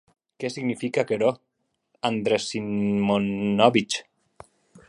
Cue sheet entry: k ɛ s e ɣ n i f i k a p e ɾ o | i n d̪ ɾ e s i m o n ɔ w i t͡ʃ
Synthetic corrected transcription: k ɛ s i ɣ n i f i k a k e ɾ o | a n d̪ ɾ e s i m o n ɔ β i t͡ʃ